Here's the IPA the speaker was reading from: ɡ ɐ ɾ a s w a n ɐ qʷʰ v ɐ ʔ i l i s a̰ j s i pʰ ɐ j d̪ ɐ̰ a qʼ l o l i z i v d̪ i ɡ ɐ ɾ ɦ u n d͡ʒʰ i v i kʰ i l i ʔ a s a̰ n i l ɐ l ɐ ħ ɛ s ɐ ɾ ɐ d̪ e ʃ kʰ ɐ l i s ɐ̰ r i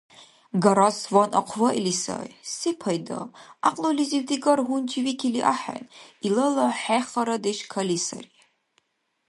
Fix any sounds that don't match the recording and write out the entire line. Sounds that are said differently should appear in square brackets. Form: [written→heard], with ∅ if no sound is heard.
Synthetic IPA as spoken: ɡ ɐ ɾ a s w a n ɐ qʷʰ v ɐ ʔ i l i s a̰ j s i pʰ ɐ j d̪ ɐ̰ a qʼ l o l i z i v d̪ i ɡ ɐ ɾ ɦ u n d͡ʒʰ i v i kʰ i l i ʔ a [s→ħ] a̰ n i l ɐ l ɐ ħ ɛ [s→χ] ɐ ɾ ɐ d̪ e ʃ kʰ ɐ l i s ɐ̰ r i